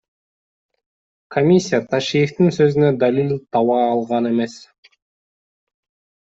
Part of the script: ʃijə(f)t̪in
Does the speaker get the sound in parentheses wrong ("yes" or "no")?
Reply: no